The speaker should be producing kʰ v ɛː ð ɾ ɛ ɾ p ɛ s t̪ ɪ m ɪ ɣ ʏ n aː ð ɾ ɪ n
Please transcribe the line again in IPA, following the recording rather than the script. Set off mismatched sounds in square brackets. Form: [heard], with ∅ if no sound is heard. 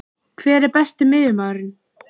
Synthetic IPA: kʰ v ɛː [∅] ɾ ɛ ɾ p ɛ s t̪ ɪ m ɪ [ð] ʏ [m] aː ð ɾ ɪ n